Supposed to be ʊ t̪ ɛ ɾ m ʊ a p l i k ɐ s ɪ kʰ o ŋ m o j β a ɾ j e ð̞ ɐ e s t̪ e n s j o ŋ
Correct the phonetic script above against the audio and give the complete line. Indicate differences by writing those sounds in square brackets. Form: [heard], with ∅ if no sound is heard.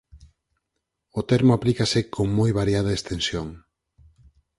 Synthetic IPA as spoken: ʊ t̪ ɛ ɾ m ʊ a p l i k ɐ s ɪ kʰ o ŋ m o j β a ɾ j [a] ð̞ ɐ e s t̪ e n s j o ŋ

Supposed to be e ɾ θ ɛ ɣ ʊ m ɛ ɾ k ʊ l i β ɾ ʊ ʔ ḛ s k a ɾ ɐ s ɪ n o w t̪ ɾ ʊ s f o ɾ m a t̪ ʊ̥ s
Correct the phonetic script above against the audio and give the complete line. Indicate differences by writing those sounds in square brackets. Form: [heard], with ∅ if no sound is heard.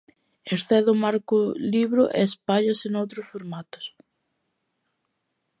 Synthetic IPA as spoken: e ɾ θ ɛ [ð] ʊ m [a] ɾ k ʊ l i β ɾ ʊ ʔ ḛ s [p] a [ʎ] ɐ s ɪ n o w t̪ ɾ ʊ s f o ɾ m a t̪ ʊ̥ s

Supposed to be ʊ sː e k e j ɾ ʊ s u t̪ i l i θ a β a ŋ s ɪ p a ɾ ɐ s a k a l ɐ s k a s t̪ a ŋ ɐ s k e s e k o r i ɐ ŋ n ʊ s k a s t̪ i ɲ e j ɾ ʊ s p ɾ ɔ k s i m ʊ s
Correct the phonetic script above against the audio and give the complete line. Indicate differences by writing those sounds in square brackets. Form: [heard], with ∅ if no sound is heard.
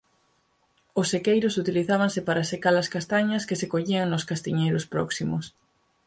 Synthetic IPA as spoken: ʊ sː e k e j ɾ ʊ s u t̪ i l i θ a β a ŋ s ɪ p a ɾ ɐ s [e] k a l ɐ s k a s t̪ a [ɲ] ɐ s k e s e k o [ʎ] i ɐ ŋ n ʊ s k a s t̪ i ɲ e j ɾ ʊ s p ɾ ɔ k s i m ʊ s

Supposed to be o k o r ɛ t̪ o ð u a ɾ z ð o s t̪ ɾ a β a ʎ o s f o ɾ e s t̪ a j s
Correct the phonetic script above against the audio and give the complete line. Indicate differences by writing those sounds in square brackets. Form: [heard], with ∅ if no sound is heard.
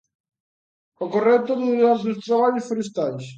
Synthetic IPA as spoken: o k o r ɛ t̪ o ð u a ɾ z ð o s t̪ ɾ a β a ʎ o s f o ɾ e s t̪ a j s

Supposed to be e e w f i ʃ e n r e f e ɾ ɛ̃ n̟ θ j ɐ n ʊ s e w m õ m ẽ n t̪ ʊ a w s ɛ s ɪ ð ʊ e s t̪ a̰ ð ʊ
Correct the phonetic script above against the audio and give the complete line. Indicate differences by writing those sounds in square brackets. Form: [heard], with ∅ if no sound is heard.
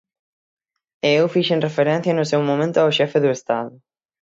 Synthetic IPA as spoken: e e w f i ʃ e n r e f e ɾ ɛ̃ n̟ θ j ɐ n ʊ s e w m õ m ẽ n t̪ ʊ a w [ʃ] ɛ [f] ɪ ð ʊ e s t̪ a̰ ð ʊ

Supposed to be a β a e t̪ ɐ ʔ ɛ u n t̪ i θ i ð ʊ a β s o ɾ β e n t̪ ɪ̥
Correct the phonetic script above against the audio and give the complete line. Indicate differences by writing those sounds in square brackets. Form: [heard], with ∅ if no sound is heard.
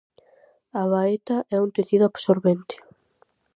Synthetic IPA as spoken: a β a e t̪ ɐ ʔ ɛ u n t̪ [e] θ i ð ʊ a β s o ɾ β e n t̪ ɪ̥

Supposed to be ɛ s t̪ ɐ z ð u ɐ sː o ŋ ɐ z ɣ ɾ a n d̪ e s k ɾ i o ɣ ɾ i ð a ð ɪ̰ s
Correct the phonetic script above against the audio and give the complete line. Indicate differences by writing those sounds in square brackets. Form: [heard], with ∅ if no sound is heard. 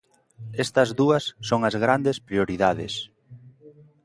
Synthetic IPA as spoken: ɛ s t̪ ɐ z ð u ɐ sː o ŋ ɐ z ɣ ɾ a n d̪ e s [p] ɾ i o [∅] ɾ i ð a ð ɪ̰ s

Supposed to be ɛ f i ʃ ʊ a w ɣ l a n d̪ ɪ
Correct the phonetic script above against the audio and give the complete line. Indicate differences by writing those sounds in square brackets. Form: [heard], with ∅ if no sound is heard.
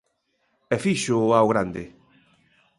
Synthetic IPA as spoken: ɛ f i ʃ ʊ a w ɣ [ɾ] a n d̪ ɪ

